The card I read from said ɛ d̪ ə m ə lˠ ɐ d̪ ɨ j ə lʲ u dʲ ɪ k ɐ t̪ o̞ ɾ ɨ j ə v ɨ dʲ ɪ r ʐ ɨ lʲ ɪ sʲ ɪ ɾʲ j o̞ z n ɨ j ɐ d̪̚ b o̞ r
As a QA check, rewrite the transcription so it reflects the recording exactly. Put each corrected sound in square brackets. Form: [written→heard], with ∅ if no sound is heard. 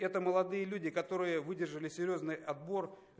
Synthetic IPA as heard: ɛ [d̪→t̪] ə m ə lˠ ɐ d̪ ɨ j ə lʲ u dʲ ɪ k ɐ t̪ o̞ ɾ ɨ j ə v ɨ dʲ ɪ r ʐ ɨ lʲ ɪ sʲ ɪ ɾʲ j o̞ z n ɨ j ɐ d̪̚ b o̞ r